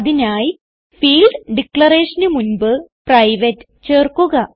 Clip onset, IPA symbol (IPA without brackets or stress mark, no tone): ð